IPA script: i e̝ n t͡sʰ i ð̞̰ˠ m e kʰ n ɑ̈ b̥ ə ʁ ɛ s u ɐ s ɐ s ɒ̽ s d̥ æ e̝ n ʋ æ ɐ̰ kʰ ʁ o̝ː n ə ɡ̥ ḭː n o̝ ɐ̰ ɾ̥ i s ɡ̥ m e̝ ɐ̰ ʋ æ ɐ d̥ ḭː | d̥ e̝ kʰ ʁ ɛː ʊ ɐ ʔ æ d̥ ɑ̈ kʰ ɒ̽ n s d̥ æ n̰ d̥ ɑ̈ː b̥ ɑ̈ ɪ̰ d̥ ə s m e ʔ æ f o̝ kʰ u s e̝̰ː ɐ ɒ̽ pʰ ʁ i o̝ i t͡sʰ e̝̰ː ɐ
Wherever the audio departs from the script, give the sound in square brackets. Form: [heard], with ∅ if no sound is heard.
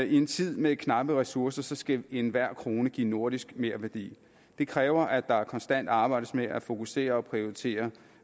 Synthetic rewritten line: i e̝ n t͡sʰ i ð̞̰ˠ m e kʰ n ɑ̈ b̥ ə ʁ ɛ s u ɐ s ɐ s ɒ̽ s [ɡ̥] æ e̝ n ʋ æ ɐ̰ kʰ ʁ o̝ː n ə ɡ̥ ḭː n o̝ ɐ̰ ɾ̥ i s ɡ̥ m e̝ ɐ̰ ʋ æ ɐ d̥ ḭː | d̥ e̝ kʰ ʁ ɛː ʊ ɐ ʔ æ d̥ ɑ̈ kʰ ɒ̽ n s d̥ æ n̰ d̥ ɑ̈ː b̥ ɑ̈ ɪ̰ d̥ ə s m e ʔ æ f o̝ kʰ u s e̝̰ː ɐ ɒ̽ pʰ ʁ i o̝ i t͡sʰ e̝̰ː ɐ